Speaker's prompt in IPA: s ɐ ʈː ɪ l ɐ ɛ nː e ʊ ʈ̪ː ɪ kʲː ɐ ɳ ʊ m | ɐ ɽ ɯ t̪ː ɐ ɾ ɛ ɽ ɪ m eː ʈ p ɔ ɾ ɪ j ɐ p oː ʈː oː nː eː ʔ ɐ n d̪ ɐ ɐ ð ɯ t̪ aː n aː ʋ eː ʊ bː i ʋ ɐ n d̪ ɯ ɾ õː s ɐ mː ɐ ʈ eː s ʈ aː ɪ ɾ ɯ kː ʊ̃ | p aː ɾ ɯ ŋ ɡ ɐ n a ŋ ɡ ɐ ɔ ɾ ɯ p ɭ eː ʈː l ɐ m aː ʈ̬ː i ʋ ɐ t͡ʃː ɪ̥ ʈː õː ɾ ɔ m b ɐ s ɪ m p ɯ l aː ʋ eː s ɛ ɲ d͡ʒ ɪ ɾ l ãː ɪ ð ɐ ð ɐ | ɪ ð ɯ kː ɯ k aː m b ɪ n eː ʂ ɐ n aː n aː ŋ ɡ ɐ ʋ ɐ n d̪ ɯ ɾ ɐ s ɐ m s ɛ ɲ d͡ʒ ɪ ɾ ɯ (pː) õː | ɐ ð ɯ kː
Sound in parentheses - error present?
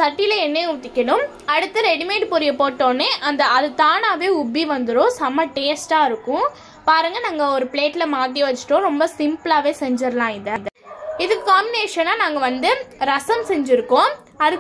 yes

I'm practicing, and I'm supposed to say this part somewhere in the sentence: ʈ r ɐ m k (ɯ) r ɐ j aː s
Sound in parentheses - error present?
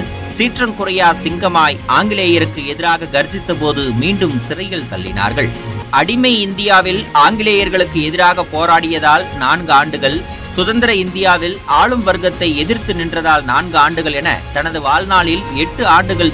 yes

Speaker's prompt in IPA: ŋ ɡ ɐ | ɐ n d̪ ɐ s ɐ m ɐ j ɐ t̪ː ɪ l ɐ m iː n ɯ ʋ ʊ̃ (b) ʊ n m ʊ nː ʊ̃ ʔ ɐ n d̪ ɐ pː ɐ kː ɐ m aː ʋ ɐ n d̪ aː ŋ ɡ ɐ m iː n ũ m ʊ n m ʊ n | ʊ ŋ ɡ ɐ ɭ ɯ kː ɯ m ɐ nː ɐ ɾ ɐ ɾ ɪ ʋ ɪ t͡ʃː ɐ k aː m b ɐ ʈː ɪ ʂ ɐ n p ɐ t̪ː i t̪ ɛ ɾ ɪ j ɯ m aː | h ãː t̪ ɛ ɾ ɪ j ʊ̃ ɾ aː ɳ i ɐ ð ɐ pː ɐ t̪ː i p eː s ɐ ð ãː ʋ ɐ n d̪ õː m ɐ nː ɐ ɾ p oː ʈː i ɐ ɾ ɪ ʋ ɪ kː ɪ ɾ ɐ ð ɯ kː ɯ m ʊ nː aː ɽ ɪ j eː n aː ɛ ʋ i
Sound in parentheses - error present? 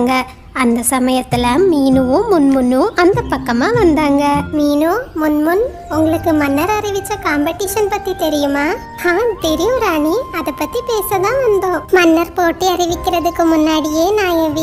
yes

